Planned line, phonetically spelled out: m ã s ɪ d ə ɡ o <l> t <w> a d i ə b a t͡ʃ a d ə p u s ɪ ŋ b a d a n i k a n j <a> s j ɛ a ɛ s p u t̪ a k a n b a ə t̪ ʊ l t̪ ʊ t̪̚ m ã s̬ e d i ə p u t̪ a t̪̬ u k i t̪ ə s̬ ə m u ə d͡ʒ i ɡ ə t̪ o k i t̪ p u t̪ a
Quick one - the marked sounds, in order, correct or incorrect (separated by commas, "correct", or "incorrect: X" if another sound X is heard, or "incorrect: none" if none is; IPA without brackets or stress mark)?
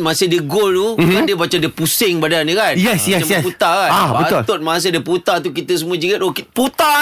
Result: correct, incorrect: u, incorrect: ɛ